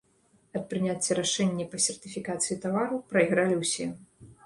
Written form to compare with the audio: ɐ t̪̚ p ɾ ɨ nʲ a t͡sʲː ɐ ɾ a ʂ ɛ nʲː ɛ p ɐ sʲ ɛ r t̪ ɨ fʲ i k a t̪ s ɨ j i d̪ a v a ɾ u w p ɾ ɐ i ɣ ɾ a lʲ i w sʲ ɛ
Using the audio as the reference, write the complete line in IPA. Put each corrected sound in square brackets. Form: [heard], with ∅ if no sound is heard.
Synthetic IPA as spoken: ɐ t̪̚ p ɾ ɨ nʲ a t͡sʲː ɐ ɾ a ʂ ɛ nʲː ɛ p ɐ sʲ ɛ r t̪ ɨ fʲ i k a t̪ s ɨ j i [t̪] a v a ɾ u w p ɾ ɐ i ɣ ɾ a lʲ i w sʲ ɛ